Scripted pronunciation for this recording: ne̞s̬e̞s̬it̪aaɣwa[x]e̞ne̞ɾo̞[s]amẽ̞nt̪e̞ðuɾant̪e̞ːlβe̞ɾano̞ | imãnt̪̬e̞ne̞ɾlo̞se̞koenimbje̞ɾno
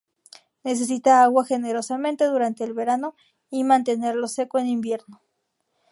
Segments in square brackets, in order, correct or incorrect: correct, correct

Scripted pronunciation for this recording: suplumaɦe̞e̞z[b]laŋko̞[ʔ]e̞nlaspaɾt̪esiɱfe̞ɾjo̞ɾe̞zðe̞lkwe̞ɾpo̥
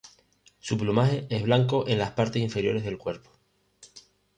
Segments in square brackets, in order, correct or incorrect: incorrect: β, correct

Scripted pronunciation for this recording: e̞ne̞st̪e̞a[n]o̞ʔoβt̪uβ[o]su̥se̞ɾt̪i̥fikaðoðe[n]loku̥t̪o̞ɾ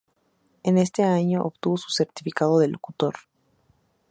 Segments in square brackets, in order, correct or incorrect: incorrect: ɲ, correct, incorrect: none

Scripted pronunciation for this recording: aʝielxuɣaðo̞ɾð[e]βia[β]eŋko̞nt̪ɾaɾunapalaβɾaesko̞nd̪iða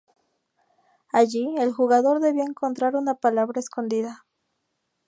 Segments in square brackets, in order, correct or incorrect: correct, incorrect: none

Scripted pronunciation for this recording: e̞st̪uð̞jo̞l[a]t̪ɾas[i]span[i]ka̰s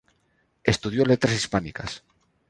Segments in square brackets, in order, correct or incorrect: incorrect: e, correct, correct

